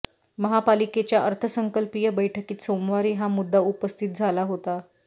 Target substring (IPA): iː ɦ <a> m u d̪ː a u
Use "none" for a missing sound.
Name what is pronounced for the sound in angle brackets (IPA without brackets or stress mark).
a